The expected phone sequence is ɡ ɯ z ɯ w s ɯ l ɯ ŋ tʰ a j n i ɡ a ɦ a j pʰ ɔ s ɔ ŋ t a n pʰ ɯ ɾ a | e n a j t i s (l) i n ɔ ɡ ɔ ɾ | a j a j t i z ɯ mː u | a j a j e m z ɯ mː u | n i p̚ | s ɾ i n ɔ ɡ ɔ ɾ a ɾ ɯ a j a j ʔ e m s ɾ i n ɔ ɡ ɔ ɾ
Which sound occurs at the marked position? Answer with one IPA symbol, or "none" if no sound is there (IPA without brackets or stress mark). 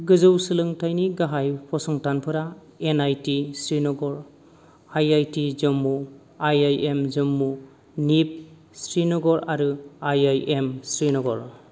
ɾ